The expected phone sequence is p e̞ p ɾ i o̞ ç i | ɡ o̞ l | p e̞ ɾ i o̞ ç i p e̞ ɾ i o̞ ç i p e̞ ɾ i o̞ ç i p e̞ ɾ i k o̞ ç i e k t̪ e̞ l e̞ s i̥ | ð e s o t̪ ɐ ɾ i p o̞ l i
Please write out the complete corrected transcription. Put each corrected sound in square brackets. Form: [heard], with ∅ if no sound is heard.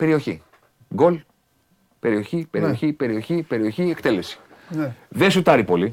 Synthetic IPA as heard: p e̞ [∅] ɾ i o̞ ç i | ɡ o̞ l | p e̞ ɾ i o̞ ç i p e̞ ɾ i o̞ ç i p e̞ ɾ i o̞ ç i p e̞ ɾ i [∅] o̞ ç i e k t̪ e̞ l e̞ s i̥ | ð e s [u] t̪ ɐ ɾ i p o̞ l i